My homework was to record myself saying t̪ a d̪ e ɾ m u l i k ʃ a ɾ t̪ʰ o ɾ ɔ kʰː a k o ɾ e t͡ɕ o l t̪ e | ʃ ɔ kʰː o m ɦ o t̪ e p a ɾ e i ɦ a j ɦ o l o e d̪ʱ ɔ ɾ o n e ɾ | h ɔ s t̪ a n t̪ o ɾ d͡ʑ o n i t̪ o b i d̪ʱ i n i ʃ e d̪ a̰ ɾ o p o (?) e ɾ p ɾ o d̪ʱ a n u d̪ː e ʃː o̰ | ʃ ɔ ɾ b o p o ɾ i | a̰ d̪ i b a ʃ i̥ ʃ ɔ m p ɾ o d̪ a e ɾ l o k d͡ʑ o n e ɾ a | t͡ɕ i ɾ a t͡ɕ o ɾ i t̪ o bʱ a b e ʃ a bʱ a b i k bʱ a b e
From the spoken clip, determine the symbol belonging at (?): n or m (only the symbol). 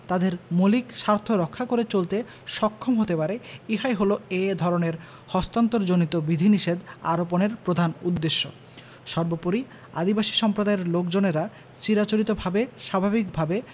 n